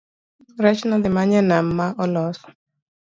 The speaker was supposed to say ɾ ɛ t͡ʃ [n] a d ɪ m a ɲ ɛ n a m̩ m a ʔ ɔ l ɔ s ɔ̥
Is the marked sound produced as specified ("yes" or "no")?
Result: yes